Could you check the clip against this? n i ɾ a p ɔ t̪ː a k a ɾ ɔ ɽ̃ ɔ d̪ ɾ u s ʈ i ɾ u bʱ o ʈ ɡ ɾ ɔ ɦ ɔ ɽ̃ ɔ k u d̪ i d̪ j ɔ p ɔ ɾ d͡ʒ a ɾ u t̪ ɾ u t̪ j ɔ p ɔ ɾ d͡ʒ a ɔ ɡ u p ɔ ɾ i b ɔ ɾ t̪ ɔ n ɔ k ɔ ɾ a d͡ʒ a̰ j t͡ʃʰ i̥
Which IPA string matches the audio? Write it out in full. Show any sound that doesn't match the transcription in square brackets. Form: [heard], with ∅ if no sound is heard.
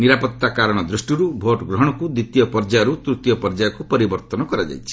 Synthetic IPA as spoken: n i ɾ a p ɔ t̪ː a k a ɾ ɔ ɽ̃ ɔ d̪ ɾ u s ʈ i ɾ u bʱ o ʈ ɡ ɾ ɔ ɦ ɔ ɽ̃ ɔ k u d̪ i [t̪] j ɔ p ɔ ɾ d͡ʒ a ɾ u t̪ ɾ u t̪ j ɔ p ɔ ɾ d͡ʒ a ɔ [k] u p ɔ ɾ i b ɔ ɾ t̪ ɔ n ɔ k ɔ ɾ a d͡ʒ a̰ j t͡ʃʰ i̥

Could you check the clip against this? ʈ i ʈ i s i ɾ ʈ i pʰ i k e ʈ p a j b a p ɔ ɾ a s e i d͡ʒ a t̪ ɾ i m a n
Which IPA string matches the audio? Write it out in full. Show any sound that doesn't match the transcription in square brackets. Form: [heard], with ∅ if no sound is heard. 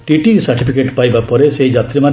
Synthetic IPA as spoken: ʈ i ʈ i s [a] ɾ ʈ i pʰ i k e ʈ p a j b a p ɔ ɾ [e] s e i d͡ʒ a t̪ ɾ i m a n

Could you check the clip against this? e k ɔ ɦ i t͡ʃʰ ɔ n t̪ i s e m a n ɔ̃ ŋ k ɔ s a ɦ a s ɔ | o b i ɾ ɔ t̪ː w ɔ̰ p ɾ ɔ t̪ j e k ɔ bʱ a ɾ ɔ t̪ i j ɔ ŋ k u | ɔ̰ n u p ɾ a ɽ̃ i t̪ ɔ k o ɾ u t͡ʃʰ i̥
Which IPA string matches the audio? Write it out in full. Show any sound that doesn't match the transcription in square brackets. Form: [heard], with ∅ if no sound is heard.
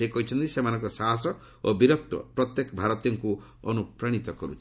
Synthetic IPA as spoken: e k ɔ ɦ i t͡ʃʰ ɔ n t̪ i s e m a n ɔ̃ ŋ k ɔ s a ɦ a s ɔ | o b i ɾ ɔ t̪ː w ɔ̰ p ɾ ɔ t̪ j e k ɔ bʱ a ɾ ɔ t̪ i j ɔ ŋ k u | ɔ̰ n u p ɾ a ɽ̃ i t̪ ɔ k [ɔ] ɾ u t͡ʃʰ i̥

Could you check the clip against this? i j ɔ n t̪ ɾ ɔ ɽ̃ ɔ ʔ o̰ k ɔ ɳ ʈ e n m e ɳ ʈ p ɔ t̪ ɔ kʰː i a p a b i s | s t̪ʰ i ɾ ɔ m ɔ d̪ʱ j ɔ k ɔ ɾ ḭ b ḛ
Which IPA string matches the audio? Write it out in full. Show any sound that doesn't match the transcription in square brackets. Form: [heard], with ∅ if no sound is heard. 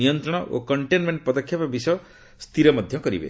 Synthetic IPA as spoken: i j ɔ n t̪ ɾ ɔ ɽ̃ ɔ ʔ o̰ k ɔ ɳ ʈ e n m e ɳ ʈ p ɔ [d̪] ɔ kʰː [j] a p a b i s | s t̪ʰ i ɾ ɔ m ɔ d̪ʱ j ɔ k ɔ ɾ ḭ b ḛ

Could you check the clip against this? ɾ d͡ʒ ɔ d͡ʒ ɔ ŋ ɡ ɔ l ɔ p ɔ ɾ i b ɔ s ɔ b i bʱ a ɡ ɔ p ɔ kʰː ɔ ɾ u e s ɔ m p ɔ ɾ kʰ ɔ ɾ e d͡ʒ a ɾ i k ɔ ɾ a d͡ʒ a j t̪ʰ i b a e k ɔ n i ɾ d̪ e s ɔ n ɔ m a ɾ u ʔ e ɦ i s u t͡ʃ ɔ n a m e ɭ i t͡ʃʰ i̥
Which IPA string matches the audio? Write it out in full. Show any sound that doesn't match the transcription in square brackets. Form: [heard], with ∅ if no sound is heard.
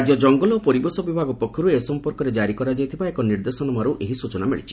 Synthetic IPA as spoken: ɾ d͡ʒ ɔ d͡ʒ ɔ ŋ ɡ ɔ l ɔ p ɔ ɾ i b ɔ s ɔ b i bʱ a ɡ ɔ p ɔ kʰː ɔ ɾ u e s ɔ m p ɔ ɾ [k] ɔ ɾ e d͡ʒ a ɾ i k ɔ ɾ a d͡ʒ a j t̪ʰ i b a e k ɔ n i ɾ d̪ e s ɔ n ɔ m a ɾ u ʔ e ɦ i s u t͡ʃ ɔ n a m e ɭ i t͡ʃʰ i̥

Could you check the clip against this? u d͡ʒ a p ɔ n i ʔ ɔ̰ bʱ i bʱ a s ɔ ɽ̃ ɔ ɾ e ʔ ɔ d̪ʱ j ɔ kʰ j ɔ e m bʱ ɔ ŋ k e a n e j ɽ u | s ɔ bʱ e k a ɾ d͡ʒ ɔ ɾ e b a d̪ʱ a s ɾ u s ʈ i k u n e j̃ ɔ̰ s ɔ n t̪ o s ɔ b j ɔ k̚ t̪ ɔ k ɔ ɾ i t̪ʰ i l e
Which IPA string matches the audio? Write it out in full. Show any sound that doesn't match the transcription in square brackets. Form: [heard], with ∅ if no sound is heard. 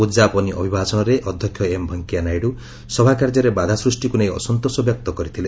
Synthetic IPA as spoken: u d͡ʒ a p ɔ n i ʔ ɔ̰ bʱ i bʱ a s ɔ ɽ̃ ɔ ɾ e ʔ ɔ d̪ʱ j ɔ kʰ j ɔ e m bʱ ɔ ŋ k [i] a n [a] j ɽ u | s ɔ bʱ [a] k a ɾ d͡ʒ ɔ ɾ e b a d̪ʱ a s ɾ u s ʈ i k u n e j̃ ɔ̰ s ɔ n t̪ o s ɔ b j ɔ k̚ t̪ ɔ k ɔ ɾ i t̪ʰ i l e

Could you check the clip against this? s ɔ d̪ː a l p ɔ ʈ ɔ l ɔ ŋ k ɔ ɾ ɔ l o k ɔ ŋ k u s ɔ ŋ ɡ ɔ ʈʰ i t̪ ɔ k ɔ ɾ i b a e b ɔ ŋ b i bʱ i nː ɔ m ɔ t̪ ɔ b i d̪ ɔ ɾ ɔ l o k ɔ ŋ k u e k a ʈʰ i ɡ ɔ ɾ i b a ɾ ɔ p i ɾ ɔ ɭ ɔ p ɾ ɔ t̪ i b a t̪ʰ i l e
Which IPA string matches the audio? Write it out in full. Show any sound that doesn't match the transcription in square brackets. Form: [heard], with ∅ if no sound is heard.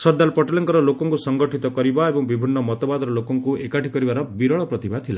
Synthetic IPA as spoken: s ɔ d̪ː a l p ɔ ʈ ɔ l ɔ ŋ k ɔ ɾ ɔ l o k ɔ ŋ k u s ɔ ŋ ɡ ɔ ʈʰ i t̪ ɔ k ɔ ɾ i b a e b ɔ ŋ b i bʱ i nː ɔ m ɔ t̪ ɔ b [a] d̪ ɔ ɾ ɔ l o k ɔ ŋ k u e k a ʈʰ i [k] ɔ ɾ i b a ɾ ɔ [b] i ɾ ɔ ɭ ɔ p ɾ ɔ t̪ i b a t̪ʰ i l [a]

